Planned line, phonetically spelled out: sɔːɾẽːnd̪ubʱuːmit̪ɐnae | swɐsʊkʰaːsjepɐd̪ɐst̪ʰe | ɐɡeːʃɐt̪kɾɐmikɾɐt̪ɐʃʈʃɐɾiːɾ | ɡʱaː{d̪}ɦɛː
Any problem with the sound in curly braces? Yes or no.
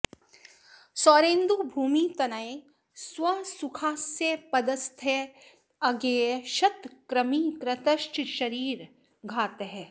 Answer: yes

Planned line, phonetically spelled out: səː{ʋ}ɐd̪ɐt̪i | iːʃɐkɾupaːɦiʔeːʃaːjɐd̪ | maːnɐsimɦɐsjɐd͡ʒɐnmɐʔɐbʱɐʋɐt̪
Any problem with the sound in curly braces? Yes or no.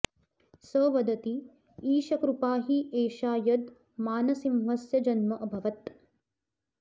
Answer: no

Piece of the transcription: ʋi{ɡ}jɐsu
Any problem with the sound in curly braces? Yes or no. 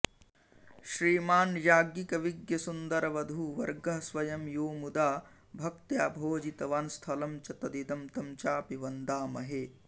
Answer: no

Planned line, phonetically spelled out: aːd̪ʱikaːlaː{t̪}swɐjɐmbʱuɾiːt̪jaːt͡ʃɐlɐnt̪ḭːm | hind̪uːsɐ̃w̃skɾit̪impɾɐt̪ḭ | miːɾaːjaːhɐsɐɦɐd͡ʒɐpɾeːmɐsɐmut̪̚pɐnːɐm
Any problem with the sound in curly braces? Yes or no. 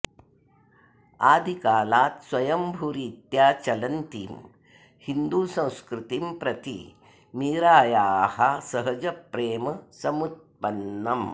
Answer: no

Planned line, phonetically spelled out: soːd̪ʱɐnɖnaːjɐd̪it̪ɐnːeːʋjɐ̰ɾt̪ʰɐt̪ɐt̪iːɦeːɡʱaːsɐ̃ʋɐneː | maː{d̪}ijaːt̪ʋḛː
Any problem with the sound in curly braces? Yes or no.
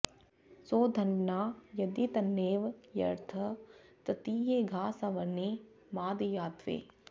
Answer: no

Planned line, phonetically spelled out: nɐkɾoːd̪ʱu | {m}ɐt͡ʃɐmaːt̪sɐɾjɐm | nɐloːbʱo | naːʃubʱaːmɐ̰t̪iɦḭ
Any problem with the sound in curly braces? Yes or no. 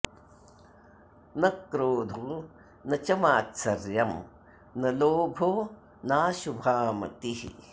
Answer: yes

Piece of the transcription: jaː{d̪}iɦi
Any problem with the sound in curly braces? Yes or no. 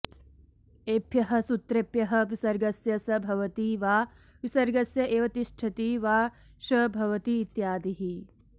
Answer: no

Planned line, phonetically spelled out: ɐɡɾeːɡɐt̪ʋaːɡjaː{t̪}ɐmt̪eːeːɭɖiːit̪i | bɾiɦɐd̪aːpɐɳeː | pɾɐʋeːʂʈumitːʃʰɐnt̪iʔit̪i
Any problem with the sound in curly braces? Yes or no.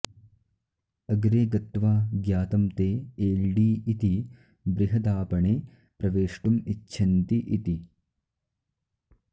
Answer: no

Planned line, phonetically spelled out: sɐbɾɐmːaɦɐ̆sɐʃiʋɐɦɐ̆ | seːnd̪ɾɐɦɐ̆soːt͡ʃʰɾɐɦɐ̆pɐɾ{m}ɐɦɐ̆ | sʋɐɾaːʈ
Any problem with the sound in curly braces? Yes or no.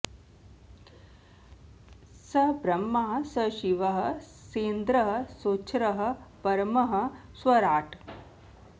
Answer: no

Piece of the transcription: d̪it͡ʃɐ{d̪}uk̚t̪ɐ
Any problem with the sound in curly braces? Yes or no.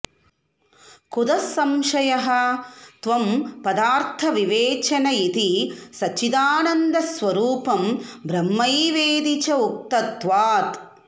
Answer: yes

